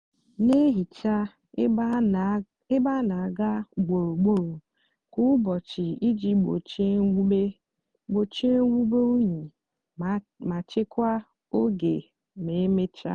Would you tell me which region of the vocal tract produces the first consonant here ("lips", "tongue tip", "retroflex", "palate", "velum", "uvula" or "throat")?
tongue tip